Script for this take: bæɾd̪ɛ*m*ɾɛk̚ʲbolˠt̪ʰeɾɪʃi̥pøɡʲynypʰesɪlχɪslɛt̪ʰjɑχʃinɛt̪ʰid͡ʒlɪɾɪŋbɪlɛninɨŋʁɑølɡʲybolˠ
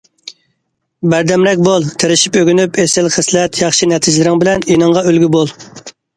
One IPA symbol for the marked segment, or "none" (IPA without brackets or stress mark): m